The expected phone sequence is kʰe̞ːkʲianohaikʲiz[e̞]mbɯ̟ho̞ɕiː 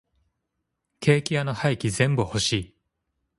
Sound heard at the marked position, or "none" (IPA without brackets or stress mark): ẽ̞